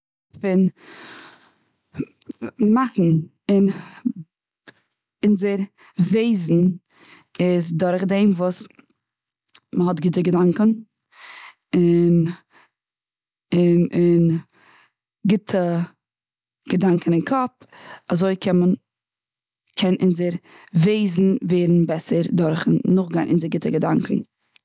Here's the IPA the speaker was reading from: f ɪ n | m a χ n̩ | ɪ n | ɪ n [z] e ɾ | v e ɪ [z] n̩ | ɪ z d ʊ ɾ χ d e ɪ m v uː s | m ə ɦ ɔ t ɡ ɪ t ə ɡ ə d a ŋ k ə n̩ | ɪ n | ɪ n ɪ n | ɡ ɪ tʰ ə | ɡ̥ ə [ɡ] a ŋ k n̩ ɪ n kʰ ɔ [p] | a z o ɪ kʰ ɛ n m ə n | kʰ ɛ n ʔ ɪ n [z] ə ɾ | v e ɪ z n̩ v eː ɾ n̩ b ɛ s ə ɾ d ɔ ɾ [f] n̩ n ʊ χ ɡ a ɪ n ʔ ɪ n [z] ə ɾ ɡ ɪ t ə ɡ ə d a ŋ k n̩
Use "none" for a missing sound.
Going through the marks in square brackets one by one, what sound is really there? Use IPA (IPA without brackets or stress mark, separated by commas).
z, z, d, p, z, χ, z